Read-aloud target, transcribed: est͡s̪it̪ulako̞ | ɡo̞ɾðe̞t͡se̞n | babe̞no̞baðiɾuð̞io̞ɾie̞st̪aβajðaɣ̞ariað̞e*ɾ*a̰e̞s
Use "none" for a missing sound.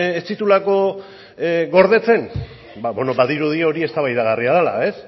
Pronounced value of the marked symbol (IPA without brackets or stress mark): l